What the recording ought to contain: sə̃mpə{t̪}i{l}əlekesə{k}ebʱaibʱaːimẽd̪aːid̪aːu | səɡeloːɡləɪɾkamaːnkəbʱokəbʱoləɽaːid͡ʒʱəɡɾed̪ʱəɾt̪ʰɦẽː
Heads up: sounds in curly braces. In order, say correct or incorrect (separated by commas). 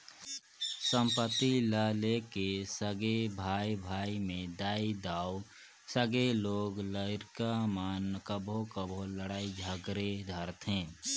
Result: correct, correct, incorrect